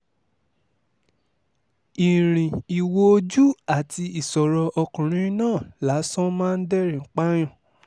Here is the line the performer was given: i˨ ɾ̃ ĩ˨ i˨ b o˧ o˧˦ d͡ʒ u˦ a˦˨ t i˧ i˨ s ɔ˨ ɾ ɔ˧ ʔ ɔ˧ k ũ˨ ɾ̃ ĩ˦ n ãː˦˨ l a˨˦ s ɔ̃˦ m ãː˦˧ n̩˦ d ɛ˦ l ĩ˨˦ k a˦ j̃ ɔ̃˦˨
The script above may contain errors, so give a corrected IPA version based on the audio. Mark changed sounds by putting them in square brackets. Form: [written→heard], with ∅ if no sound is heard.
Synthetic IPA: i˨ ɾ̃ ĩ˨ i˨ [b→w] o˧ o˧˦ d͡ʒ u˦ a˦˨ t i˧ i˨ s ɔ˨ ɾ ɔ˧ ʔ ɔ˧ k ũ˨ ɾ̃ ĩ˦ n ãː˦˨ l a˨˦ s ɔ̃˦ m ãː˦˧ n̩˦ d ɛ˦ [l→ɾ] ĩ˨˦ [k→k͡p] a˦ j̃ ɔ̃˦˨

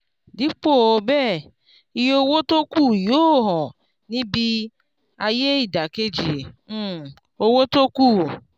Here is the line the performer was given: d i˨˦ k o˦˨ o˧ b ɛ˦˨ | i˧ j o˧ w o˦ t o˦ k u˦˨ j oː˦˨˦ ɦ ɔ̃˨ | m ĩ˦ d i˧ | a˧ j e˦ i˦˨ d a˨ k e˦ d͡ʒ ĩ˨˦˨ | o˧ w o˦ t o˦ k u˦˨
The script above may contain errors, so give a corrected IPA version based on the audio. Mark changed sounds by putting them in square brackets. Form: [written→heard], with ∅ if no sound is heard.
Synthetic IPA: d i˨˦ [k→k͡p] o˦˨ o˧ b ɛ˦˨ | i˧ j o˧ w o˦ t o˦ k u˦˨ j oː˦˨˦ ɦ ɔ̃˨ | [m→n] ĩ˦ [d→b] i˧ | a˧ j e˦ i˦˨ d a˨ k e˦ d͡ʒ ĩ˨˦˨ | o˧ w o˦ t o˦ k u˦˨

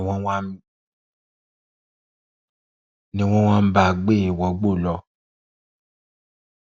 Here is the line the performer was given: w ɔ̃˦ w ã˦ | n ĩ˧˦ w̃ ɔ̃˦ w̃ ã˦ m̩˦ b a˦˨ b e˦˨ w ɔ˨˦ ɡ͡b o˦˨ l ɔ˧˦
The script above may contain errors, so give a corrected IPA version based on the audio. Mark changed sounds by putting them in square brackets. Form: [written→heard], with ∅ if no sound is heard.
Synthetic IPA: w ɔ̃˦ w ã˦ | n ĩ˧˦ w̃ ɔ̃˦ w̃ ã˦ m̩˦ b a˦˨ [b→ɡ͡b] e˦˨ w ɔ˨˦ ɡ͡b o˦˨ l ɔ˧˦

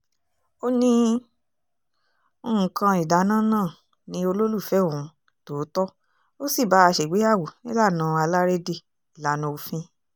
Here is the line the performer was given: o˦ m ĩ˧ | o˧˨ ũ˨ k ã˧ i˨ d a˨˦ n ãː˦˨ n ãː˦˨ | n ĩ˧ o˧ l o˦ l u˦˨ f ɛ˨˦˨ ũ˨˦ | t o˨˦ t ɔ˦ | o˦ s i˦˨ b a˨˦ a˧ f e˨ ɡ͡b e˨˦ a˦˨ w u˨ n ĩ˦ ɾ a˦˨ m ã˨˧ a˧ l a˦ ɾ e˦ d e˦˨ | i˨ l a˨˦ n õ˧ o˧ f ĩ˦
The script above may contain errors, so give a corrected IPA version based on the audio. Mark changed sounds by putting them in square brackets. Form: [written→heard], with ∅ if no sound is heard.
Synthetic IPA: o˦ [m→n] ĩ˧ | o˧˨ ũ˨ k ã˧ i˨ d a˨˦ n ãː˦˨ n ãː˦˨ | n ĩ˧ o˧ l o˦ l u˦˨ f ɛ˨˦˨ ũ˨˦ | t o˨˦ t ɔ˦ | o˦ s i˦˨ b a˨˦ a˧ [f→ʃ] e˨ ɡ͡b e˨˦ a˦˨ w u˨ n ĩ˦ [ɾ→l] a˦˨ [m→n] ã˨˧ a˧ l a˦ ɾ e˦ d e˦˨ | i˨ l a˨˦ n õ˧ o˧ f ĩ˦

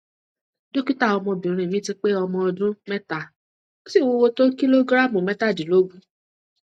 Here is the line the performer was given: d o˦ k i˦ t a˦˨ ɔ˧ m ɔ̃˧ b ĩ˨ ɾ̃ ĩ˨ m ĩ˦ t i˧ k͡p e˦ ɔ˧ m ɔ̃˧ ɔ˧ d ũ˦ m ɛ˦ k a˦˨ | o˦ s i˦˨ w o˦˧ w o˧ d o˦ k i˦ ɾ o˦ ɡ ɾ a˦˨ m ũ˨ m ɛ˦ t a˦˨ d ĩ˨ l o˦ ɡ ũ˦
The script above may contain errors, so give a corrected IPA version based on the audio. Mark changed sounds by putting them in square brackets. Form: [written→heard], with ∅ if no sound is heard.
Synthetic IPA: d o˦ k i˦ t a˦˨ ɔ˧ m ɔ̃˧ b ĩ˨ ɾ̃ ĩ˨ m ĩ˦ t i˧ k͡p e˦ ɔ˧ m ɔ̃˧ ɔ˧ d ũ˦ m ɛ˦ [k→t] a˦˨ | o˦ s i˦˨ w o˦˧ w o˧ [d→t] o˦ k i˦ [ɾ→l] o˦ ɡ ɾ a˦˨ m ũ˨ m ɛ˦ t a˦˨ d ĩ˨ l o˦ ɡ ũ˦

